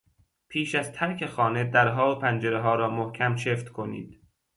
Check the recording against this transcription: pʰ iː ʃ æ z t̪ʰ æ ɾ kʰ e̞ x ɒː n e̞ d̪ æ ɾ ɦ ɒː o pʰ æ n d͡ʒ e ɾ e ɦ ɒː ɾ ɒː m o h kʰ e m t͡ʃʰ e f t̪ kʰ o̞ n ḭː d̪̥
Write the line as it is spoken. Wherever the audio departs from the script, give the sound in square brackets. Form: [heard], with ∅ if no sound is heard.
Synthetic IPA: pʰ iː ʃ æ z t̪ʰ æ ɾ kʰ e̞ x ɒː n e̞ d̪ æ ɾ ɦ ɒː o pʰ æ n d͡ʒ e ɾ e ɦ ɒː ɾ ɒː m o h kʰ [æ] m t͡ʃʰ e f t̪ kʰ o̞ n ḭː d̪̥